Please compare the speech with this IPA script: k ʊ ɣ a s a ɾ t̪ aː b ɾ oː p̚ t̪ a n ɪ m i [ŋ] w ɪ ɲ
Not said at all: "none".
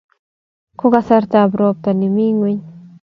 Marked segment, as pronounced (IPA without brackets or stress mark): ŋ